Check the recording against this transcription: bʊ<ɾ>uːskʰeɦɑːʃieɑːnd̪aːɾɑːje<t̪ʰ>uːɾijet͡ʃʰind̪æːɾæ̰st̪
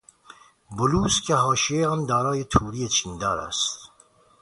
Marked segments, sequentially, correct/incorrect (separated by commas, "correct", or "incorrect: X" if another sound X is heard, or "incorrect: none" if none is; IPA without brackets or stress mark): incorrect: l, correct